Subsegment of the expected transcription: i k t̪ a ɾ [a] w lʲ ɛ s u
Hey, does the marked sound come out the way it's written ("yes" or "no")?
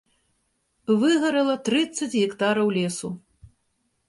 no